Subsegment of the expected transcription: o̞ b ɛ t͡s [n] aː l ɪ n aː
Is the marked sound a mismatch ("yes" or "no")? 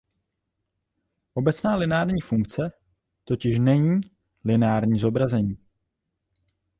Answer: no